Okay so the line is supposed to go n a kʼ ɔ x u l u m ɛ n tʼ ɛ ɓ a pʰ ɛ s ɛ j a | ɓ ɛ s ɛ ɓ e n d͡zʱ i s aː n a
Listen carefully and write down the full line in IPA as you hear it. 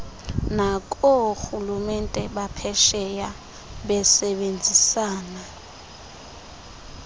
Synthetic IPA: n a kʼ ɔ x u l u m ɛ n tʼ ɛ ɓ a pʰ ɛ ʃ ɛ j a | ɓ ɛ s ɛ ɓ e n d͡zʱ i s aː n a

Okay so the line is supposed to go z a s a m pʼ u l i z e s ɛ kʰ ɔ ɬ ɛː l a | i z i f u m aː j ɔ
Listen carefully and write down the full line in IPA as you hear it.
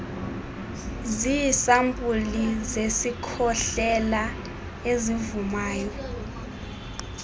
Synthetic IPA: z i s a m pʼ u l i z e s i kʰ ɔ ɬ ɛ l a | e z i v u m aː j ɔ

